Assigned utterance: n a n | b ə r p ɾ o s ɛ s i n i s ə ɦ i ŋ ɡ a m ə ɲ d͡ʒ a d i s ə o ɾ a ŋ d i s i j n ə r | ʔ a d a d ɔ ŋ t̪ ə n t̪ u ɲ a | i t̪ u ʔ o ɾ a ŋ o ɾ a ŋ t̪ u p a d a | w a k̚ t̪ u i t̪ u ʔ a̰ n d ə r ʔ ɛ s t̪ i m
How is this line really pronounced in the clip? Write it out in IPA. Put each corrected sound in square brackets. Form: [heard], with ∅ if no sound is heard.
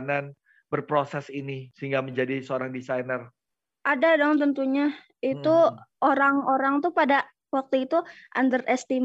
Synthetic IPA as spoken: n a n | b ə r p ɾ o s ɛ s i n i s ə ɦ i ŋ ɡ a m ə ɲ d͡ʒ a d i s ə o ɾ a ŋ d i s [a] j n ə r | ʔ a d a d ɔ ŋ t̪ ə n t̪ u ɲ a | i t̪ u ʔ o ɾ a ŋ o ɾ a ŋ t̪ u p a d a | w a k̚ t̪ u i t̪ u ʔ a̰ n d ə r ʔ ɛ s t̪ i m